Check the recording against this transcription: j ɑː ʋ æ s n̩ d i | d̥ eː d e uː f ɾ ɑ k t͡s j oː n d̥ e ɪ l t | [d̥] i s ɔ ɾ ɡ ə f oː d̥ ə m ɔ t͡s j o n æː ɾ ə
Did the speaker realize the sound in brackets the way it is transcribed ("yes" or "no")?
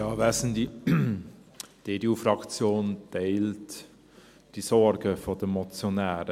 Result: yes